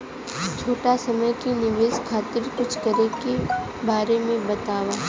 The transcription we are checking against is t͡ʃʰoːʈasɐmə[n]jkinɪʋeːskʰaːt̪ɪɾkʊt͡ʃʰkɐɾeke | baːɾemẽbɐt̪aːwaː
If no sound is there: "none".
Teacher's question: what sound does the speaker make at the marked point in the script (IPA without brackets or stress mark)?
none